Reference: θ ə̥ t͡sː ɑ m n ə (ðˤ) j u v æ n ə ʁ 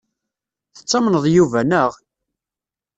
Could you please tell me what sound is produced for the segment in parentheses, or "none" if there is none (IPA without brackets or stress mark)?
ðˤ